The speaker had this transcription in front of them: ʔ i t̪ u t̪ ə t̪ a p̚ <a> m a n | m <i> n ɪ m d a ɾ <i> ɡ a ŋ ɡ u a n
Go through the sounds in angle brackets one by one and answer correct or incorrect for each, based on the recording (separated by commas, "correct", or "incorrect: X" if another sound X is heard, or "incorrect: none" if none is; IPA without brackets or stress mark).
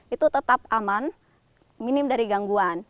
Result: correct, correct, correct